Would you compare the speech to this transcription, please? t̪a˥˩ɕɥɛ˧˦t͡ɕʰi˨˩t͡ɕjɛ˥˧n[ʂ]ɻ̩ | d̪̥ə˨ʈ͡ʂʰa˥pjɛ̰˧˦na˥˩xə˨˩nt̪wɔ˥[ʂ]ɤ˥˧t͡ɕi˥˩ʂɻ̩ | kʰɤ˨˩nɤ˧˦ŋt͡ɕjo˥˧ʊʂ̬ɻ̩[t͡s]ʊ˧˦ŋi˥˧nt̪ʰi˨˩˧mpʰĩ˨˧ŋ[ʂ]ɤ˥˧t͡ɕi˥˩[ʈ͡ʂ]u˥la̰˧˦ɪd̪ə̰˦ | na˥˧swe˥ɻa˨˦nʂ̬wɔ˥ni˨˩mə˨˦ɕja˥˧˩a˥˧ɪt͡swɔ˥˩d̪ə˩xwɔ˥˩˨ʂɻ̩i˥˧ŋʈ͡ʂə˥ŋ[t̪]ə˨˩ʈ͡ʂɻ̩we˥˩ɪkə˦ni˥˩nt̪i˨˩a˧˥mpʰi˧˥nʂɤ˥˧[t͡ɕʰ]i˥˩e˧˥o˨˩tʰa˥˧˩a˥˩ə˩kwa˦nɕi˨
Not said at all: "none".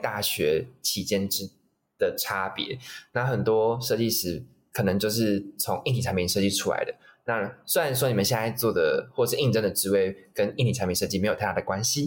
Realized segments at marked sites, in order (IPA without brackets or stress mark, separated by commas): ʈ͡ʂ, ʂ, t͡sʰ, ʂ, ʈ͡ʂʰ, d̪, t͡ɕ